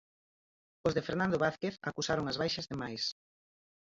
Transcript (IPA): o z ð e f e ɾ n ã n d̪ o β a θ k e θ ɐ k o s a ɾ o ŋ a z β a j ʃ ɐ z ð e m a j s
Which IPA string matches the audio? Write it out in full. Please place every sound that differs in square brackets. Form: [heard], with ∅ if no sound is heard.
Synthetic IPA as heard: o z ð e f e ɾ n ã n d̪ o β a θ k e θ [a] k [u] s a ɾ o ŋ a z β a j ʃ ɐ z ð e m a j s